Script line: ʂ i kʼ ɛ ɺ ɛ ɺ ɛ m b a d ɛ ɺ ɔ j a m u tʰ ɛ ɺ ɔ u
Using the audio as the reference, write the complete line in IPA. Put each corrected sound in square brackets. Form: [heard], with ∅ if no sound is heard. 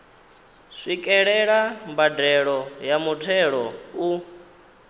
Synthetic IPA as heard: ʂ i kʼ ɛ ɺ ɛ ɺ [a] m b a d ɛ ɺ ɔ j a m u tʰ ɛ ɺ ɔ u